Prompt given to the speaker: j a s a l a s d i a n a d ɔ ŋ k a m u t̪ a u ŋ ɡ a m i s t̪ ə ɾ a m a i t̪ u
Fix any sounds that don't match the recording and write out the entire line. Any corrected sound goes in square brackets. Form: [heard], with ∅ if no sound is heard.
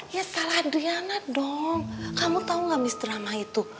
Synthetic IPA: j a s a l a [h] d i a n a d ɔ ŋ k a m u t̪ a u ŋ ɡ a m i s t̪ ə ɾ a m a i t̪ u